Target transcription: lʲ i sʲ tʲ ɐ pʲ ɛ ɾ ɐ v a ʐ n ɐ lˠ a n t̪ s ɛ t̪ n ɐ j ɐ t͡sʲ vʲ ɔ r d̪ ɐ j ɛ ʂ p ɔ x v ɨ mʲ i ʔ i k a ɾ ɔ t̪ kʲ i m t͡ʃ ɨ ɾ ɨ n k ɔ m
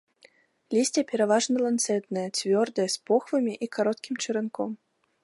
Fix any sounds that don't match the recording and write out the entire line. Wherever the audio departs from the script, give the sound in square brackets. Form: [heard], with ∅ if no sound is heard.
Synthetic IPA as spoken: lʲ i sʲ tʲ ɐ pʲ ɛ ɾ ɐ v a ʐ n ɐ lˠ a n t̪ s ɛ t̪ n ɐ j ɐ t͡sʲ vʲ ɔ r d̪ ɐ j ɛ [s] p ɔ x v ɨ mʲ i ʔ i k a ɾ ɔ t̪ kʲ i m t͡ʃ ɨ ɾ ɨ n k ɔ m